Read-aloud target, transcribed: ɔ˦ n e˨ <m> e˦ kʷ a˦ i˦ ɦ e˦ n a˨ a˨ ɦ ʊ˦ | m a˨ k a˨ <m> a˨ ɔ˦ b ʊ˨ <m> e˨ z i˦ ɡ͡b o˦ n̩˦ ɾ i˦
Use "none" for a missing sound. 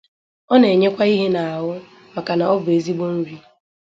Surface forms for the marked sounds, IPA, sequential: ɲ, n, none

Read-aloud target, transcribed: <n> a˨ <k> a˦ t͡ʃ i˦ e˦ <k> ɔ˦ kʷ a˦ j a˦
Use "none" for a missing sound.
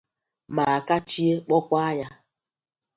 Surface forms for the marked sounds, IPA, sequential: m, k, k͡p

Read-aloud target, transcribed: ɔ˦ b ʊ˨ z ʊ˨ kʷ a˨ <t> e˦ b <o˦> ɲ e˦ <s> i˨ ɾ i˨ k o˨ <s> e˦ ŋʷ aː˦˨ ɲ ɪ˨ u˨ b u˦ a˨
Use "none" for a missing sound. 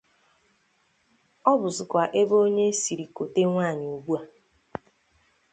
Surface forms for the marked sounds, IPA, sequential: ʔ, o˦, s, t

